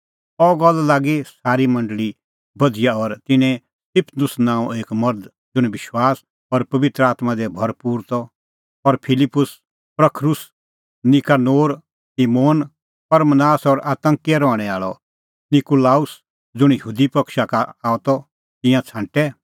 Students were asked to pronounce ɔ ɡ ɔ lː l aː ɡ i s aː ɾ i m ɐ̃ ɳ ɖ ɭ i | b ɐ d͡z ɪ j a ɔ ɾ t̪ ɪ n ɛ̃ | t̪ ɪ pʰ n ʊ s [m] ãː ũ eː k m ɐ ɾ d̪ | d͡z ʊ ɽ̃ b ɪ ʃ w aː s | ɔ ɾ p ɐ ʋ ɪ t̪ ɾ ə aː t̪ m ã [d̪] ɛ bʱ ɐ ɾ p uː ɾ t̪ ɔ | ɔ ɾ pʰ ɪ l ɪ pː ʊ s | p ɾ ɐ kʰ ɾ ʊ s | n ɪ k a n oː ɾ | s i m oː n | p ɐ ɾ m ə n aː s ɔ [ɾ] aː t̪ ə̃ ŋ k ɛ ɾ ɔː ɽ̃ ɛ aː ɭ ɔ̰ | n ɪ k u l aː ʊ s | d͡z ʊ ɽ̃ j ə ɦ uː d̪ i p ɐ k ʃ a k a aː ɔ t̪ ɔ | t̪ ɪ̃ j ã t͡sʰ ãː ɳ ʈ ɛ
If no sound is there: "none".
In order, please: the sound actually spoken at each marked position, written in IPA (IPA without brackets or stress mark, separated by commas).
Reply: n, d̪, ɾ